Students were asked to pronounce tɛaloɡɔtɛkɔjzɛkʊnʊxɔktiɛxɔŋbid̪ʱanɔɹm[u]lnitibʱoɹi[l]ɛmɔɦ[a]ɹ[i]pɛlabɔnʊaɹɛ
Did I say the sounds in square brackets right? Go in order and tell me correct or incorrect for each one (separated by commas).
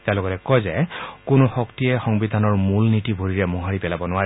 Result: correct, incorrect, correct, correct